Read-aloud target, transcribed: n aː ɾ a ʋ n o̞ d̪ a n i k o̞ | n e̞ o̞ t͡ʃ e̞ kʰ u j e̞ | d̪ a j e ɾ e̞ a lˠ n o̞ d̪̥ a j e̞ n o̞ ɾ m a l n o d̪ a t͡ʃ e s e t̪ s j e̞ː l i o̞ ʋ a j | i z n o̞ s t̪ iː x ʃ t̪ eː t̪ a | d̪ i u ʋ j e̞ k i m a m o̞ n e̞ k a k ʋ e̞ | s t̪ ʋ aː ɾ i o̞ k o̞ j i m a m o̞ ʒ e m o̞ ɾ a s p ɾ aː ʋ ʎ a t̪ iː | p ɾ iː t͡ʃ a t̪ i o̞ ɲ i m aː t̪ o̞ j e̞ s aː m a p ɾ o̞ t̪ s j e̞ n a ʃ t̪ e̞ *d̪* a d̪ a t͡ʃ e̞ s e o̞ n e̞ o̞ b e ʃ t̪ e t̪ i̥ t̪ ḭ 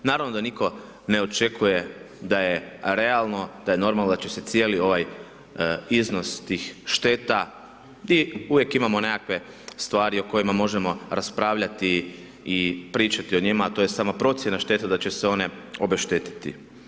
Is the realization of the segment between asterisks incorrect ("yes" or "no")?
yes